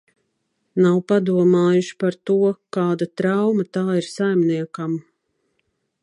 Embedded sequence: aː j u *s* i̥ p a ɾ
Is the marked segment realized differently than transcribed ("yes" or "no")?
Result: yes